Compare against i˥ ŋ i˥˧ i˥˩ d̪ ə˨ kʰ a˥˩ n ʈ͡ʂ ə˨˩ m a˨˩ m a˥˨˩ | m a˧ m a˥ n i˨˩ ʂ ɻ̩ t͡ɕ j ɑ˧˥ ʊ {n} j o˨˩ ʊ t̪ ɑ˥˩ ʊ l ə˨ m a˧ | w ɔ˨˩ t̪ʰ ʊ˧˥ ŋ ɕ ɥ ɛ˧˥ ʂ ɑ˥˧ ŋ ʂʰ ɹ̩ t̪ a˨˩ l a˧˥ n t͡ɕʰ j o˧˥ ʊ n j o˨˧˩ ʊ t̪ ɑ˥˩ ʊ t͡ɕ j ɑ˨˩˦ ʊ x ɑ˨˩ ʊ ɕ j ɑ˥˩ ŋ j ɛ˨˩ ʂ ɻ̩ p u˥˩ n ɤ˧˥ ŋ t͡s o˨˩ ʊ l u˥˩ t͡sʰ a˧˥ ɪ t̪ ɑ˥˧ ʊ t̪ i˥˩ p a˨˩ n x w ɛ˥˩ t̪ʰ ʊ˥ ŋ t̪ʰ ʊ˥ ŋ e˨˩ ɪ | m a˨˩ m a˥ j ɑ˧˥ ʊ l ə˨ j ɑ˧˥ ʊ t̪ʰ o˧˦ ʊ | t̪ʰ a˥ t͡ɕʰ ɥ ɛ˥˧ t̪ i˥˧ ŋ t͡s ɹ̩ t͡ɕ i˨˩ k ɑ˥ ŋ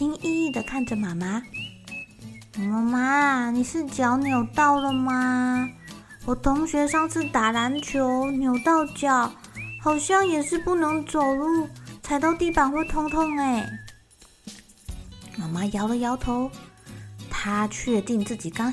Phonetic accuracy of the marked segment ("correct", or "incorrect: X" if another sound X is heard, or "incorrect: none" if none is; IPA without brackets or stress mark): correct